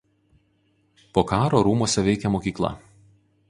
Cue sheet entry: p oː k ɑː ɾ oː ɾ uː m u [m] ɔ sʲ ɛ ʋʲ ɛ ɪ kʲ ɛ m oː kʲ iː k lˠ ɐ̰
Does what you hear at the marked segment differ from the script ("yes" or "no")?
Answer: yes